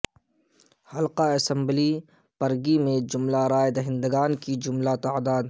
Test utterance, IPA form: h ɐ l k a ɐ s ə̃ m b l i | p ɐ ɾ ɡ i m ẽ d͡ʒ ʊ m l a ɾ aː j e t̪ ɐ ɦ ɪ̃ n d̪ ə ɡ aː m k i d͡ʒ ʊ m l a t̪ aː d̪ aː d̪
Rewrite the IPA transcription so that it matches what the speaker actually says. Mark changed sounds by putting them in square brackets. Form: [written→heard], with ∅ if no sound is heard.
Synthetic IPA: h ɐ l [k→q] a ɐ s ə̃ m b l i | p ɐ ɾ ɡ i m ẽ d͡ʒ ʊ m l a ɾ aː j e [t̪→d̪] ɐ ɦ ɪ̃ n d̪ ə ɡ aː [m→n] k i d͡ʒ ʊ m l a t̪ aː d̪ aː d̪